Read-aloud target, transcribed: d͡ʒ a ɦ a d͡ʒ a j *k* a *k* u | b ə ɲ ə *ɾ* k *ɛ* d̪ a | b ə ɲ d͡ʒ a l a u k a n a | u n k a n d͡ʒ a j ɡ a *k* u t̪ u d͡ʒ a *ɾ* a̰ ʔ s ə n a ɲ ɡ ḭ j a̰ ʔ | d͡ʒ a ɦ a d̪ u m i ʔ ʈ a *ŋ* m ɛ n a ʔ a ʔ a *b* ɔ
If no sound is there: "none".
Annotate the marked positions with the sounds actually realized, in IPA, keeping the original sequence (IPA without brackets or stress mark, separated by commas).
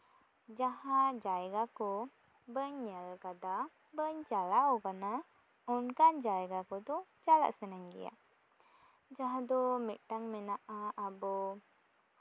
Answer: ɡ, k, l, a, k, l, ŋ, b